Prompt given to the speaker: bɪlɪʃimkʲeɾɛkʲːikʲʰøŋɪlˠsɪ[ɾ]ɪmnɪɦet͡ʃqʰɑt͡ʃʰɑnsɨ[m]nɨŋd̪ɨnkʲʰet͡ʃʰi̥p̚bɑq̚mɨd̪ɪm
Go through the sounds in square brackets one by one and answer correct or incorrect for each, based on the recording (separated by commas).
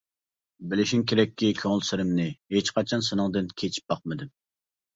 correct, incorrect